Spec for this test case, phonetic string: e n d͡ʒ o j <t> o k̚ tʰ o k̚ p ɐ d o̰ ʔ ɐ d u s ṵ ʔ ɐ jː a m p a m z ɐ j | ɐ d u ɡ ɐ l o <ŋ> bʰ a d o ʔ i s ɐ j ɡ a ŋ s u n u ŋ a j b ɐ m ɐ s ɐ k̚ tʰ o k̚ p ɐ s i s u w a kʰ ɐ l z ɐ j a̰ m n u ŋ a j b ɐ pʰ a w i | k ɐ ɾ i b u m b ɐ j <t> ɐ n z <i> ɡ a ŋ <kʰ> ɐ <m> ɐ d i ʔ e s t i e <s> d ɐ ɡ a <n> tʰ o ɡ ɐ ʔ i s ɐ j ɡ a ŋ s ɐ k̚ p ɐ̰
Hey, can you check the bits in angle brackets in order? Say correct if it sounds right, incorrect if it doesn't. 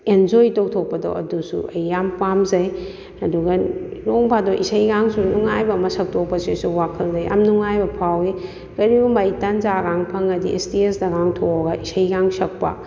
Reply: correct, correct, correct, incorrect: a, incorrect: pʰ, incorrect: ŋ, correct, incorrect: ŋ

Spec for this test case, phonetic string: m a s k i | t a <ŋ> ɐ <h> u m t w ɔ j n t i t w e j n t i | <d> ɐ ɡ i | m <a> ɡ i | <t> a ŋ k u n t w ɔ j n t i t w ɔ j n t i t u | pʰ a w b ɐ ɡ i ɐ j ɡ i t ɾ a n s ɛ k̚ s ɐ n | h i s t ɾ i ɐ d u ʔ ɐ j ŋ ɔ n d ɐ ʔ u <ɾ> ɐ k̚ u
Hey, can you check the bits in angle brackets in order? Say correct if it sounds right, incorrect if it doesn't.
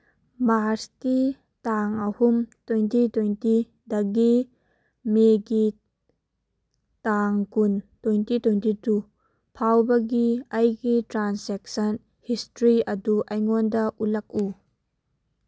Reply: correct, correct, correct, incorrect: e, correct, incorrect: l

